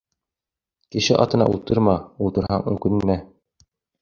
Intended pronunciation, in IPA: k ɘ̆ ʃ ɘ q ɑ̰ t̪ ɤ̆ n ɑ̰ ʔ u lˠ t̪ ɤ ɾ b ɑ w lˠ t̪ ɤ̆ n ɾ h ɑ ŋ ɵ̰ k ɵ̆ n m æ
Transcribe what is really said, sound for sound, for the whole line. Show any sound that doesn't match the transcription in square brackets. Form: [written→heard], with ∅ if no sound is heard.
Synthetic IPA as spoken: k ɘ̆ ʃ ɘ [q→ʔ] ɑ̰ t̪ ɤ̆ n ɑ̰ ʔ u lˠ t̪ ɤ ɾ [b→m] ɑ [w→u] lˠ t̪ ɤ̆ [n→∅] ɾ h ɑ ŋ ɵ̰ k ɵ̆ n m æ

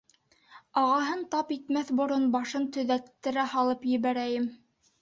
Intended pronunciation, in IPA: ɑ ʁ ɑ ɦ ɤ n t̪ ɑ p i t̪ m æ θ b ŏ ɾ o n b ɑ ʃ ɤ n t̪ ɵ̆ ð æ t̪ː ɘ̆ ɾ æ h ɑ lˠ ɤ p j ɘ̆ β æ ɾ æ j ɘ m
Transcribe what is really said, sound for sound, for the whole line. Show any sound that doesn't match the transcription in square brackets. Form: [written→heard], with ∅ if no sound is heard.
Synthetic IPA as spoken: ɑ ʁ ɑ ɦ ɤ n t̪ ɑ p i t̪ m æ θ b ŏ ɾ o n b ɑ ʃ ɤ n t̪ ɵ̆ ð æ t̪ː ɘ̆ ɾ æ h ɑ lˠ ɤ p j ɘ̆ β æ ɾ æ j ɘ m

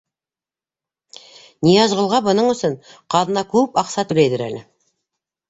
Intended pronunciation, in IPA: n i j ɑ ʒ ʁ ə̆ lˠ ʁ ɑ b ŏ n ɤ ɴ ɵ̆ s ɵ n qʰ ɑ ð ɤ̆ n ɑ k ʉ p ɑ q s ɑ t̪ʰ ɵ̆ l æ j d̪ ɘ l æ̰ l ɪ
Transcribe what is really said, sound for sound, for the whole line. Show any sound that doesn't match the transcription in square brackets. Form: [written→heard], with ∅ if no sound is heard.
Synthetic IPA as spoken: n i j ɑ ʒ ʁ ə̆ lˠ ʁ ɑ b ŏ n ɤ ɴ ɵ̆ s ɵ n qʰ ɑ ð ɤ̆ n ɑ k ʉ p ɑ q s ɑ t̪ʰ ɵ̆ l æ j d̪ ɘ [l→ɾ] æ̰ l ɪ

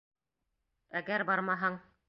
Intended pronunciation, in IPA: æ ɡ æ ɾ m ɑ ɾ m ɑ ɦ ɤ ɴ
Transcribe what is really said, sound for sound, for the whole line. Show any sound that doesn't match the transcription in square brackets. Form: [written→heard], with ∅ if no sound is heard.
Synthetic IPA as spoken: æ ɡ æ ɾ [m→b] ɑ ɾ m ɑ ɦ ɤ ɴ

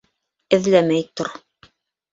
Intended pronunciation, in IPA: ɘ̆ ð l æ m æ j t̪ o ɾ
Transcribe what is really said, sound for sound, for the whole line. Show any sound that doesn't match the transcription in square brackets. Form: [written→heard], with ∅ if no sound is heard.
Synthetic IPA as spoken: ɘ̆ ð l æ m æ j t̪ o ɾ

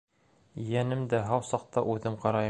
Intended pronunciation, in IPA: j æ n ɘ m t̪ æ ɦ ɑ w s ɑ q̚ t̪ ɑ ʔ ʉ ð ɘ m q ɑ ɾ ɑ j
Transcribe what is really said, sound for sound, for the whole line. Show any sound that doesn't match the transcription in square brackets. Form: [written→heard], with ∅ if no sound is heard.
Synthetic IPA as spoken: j æ n ɘ m [t̪→d̪] æ ɦ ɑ w s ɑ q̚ t̪ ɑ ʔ ʉ ð ɘ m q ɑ ɾ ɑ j

